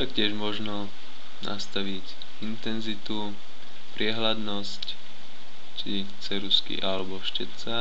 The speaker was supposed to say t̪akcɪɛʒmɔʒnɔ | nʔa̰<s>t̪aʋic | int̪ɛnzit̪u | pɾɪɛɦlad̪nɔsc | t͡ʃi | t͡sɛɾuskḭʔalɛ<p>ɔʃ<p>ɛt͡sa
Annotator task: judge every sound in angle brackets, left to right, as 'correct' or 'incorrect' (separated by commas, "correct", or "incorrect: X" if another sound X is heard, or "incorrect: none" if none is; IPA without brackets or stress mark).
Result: correct, incorrect: b, incorrect: c